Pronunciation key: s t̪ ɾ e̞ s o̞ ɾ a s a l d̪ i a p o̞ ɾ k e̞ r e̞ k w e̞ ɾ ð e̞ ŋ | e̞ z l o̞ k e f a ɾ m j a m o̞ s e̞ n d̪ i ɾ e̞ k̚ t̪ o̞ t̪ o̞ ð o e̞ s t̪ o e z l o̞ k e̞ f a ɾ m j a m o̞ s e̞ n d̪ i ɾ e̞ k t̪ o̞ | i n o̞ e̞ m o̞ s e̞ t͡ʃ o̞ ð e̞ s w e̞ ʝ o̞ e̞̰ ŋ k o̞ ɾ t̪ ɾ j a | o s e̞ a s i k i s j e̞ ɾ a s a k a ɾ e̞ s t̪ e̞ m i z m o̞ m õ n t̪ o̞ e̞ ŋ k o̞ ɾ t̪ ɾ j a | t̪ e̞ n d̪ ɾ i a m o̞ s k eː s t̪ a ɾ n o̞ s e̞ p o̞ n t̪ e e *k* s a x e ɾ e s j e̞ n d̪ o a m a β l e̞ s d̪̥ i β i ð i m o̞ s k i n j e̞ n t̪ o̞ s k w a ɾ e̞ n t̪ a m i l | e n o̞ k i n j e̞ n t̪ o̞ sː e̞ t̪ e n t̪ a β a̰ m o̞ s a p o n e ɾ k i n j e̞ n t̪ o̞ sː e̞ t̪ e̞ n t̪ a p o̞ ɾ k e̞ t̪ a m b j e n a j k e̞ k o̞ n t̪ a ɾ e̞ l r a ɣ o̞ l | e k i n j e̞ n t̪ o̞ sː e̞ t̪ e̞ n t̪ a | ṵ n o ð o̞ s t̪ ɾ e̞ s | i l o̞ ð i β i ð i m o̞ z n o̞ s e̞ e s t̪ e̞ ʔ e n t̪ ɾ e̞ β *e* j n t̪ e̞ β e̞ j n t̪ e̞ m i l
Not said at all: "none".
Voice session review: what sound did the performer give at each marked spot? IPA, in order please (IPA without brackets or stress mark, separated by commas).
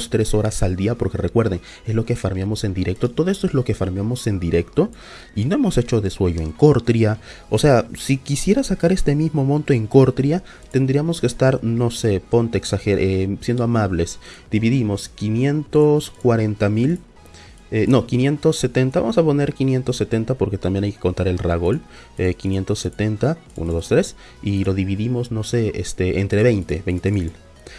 k, e